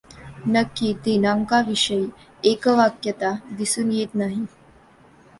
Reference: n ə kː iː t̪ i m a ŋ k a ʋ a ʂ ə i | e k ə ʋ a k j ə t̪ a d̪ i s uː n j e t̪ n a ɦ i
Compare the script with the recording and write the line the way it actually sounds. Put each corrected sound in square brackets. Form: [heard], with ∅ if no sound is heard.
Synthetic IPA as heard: n ə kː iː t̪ i [n] a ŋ k a ʋ [i] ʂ ə i | e k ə ʋ a k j ə t̪ a d̪ i s uː n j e t̪ n a ɦ i